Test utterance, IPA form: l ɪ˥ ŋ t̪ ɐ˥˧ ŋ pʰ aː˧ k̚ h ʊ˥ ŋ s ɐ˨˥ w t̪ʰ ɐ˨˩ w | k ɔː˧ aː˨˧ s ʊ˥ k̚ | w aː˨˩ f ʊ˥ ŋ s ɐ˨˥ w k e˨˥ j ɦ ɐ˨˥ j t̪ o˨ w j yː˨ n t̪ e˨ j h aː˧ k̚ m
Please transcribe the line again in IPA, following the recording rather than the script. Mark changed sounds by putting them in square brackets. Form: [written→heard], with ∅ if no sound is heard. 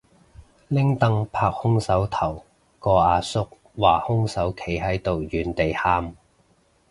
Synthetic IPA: l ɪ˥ ŋ t̪ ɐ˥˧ ŋ pʰ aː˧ k̚ h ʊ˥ ŋ s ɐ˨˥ w t̪ʰ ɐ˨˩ w | k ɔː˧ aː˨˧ s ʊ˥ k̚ | w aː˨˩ [f→h] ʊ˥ ŋ s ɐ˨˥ w [k→kʰ] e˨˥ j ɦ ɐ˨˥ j t̪ o˨ w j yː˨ n t̪ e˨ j h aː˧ [k̚→∅] m